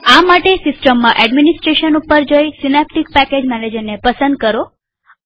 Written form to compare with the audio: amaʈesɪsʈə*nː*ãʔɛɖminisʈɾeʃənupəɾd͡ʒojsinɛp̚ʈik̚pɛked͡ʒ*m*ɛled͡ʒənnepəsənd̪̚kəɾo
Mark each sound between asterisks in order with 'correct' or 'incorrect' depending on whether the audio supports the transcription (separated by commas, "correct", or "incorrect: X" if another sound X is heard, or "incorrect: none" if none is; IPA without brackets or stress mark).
incorrect: mː, correct